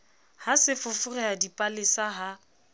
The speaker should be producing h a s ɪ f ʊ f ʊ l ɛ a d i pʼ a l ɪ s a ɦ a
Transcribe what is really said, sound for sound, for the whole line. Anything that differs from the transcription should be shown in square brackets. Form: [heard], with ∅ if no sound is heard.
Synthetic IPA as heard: h a s ɪ f ʊ f ʊ [r] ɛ a d i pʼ a l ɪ s a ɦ a